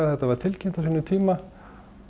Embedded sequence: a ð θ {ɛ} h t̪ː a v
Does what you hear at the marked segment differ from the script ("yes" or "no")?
no